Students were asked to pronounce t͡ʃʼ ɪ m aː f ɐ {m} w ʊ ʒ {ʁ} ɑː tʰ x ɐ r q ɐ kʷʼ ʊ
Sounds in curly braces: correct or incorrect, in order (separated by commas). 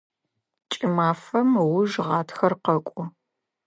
correct, correct